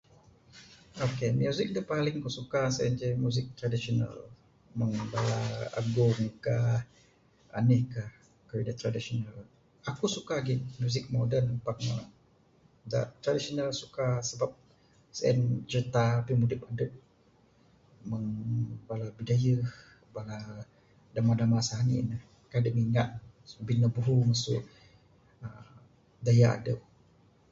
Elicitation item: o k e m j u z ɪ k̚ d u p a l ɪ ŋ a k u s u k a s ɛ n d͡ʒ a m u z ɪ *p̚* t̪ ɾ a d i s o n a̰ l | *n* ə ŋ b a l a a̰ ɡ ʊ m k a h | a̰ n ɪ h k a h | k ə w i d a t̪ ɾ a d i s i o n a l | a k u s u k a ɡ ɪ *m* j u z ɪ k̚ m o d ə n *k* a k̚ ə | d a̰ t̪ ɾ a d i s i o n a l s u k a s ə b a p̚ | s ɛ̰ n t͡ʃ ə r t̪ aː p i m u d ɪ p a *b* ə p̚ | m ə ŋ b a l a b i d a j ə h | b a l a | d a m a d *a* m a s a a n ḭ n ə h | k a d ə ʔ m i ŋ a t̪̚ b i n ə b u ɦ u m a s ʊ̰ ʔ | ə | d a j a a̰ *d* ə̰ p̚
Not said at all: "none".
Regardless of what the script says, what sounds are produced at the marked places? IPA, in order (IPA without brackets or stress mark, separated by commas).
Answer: k̚, m, m, p, d, a, d